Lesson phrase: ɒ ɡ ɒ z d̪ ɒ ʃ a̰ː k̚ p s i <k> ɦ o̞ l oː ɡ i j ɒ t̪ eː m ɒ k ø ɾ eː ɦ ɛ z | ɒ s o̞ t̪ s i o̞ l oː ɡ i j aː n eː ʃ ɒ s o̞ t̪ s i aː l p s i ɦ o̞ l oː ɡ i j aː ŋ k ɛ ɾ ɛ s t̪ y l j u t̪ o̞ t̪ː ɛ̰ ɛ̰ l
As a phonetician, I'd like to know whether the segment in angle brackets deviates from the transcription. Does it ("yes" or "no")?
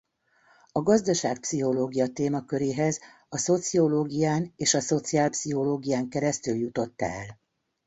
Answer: yes